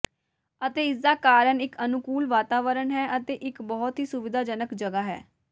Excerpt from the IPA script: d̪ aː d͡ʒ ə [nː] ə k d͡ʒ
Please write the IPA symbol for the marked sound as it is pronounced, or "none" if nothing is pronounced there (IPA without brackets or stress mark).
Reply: n